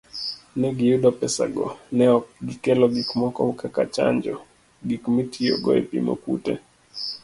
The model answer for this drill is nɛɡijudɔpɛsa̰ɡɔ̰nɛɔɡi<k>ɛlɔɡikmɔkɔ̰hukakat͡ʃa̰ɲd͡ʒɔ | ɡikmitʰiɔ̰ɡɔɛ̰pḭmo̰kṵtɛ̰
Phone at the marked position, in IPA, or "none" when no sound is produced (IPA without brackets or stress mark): k